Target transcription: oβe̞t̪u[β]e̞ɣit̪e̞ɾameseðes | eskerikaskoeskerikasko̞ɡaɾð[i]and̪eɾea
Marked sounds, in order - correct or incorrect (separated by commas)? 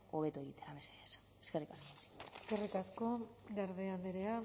incorrect, incorrect